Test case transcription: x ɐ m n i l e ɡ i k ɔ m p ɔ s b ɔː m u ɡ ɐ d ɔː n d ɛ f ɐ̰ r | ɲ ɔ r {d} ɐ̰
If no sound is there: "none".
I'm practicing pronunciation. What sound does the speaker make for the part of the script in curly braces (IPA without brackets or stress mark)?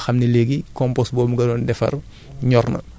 n